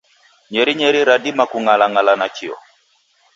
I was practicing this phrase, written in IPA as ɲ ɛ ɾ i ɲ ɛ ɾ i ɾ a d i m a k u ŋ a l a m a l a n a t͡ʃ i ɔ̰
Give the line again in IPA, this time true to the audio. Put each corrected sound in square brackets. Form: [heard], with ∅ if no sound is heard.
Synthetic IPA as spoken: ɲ ɛ ɾ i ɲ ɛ ɾ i ɾ a d i m a k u ŋ a l a [ŋ] a l a n a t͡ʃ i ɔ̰

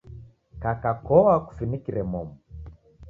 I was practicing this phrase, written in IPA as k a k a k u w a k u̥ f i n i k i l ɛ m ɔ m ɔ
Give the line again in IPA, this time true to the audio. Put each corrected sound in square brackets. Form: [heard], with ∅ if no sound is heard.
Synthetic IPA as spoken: k a k a k [ɔ] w a k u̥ f i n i k i [ɾ] ɛ m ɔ m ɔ

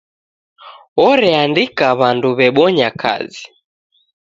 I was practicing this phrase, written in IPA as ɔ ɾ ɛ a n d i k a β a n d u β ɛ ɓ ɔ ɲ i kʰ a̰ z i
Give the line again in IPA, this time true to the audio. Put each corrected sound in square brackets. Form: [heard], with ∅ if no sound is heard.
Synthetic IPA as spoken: ɔ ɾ ɛ a n d i k a β a n d u β ɛ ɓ ɔ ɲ [a] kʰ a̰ z i

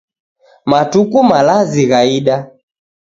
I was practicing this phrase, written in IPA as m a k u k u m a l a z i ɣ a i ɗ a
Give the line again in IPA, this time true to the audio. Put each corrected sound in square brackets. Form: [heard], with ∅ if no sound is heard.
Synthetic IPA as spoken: m a [t] u k u m a l a z i ɣ a i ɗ a

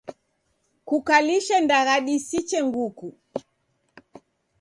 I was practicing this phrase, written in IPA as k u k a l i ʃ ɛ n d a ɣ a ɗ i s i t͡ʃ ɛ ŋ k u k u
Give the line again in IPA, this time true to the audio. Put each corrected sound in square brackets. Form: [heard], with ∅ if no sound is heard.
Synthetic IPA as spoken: k u k a l i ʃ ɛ n d a ɣ a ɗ i s i t͡ʃ ɛ ŋ [ɡ] u k u

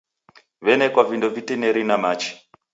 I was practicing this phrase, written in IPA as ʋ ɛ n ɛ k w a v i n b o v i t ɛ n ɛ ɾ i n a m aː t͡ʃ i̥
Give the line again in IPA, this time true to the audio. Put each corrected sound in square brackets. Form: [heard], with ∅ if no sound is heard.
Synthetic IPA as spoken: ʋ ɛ n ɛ k w a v i n [d] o v i t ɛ n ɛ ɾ i n a m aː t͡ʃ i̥

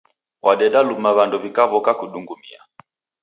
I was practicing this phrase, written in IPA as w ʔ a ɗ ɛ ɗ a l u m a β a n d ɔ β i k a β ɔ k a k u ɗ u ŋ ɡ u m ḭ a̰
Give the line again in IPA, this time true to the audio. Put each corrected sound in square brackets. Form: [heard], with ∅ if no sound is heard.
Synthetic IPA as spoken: w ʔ a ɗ ɛ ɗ a l u m a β a n d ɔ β i k a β ɔ k a k u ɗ u ŋ ɡ u m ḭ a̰

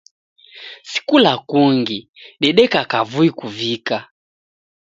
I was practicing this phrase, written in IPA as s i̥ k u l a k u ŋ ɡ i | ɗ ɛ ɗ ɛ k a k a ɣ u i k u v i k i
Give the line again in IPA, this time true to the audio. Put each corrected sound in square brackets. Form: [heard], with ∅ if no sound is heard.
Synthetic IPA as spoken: s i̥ k u l a k u ŋ ɡ i | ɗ ɛ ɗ ɛ k a k a [v] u i k u v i k [a]

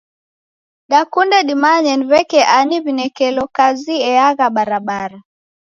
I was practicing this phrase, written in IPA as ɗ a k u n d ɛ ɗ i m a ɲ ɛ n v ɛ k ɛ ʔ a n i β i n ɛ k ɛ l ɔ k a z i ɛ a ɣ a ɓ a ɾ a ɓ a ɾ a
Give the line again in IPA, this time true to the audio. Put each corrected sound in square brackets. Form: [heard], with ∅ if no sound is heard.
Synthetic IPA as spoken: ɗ a k u n d ɛ ɗ i m a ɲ ɛ n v ɛ k ɛ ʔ a n i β i n ɛ k ɛ l ɔ k a z i ɛ a ɣ a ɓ a ɾ a ɓ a ɾ a

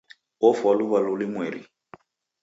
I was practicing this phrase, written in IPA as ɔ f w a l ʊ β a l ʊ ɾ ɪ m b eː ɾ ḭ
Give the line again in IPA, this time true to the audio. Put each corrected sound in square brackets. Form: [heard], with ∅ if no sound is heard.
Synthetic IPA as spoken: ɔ f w a l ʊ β a l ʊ [l] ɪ m [w] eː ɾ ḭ

